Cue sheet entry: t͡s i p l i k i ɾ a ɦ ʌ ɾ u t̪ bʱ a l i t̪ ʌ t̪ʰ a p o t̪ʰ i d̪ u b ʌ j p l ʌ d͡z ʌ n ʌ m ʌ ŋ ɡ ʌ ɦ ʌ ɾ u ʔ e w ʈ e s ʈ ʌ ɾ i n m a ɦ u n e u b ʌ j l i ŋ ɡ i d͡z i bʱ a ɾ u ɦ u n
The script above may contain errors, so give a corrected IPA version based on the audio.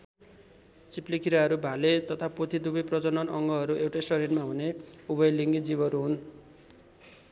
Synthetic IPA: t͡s i p l i k i ɾ a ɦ ʌ ɾ u bʱ a l e t̪ ʌ t̪ʰ a p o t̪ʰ i d̪ u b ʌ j p r ʌ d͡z ʌ n ʌ n ʌ ŋ ɡ ʌ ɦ ʌ ɾ u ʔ e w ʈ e s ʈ ʌ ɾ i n m a ɦ u n e u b ʌ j l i ŋ ɡ i d͡z i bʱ ʌ ɾ u ɦ u n